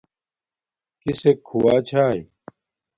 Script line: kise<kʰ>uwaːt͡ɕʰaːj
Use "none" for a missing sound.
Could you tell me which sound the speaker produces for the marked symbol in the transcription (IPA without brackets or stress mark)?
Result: kʰ